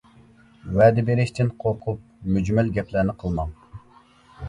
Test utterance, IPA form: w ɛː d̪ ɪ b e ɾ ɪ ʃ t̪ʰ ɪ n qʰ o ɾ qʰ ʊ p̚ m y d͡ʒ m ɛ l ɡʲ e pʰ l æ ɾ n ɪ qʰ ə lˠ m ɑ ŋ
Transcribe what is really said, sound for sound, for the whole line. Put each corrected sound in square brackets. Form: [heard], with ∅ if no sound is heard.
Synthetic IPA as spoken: w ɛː d̪ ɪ b e ɾ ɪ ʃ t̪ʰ ɪ n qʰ o ɾ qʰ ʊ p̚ m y d͡ʒ m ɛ l ɡʲ [ɛ] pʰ l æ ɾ n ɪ qʰ ə lˠ m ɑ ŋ